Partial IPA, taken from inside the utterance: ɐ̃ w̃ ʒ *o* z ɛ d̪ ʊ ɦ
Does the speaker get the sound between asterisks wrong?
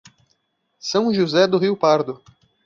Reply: yes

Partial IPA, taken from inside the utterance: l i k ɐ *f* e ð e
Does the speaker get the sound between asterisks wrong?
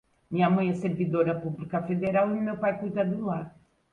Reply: no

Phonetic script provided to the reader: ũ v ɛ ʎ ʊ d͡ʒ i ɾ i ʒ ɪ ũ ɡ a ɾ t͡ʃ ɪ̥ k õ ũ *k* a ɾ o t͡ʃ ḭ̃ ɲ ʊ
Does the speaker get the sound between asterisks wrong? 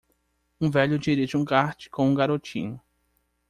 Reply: yes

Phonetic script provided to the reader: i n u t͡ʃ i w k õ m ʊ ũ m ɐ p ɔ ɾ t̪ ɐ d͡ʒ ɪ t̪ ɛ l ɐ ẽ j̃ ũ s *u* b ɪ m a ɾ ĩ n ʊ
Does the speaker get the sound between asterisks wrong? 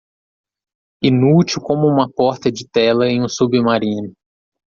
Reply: no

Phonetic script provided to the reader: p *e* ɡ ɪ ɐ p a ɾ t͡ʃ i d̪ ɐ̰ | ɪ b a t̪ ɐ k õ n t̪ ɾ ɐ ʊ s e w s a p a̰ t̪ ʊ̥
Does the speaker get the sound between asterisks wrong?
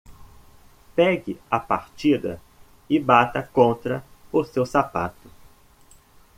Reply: yes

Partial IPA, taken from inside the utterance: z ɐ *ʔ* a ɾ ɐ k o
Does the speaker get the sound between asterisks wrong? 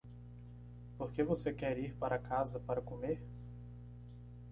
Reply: yes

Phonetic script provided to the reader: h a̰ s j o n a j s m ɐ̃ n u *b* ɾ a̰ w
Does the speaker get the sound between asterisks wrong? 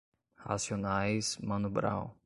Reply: no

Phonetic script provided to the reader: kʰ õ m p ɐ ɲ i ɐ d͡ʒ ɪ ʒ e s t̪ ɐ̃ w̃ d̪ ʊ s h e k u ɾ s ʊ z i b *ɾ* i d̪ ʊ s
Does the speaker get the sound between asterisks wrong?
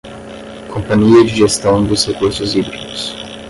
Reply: no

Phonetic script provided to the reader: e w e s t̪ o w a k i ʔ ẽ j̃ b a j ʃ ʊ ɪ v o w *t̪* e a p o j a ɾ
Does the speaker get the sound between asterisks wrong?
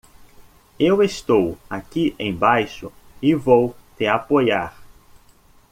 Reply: no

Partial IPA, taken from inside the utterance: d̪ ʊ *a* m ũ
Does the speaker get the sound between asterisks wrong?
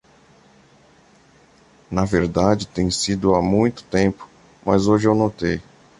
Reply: no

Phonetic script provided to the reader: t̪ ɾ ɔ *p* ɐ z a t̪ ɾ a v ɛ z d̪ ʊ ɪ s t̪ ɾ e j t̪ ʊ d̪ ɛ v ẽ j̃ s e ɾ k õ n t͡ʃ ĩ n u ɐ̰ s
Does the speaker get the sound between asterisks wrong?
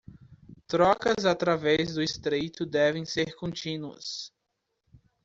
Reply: yes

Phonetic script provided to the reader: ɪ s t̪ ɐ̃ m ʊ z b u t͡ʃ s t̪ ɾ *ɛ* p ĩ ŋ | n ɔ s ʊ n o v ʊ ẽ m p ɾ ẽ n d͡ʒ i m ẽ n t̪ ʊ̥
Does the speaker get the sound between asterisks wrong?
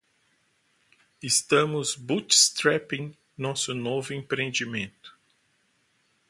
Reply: no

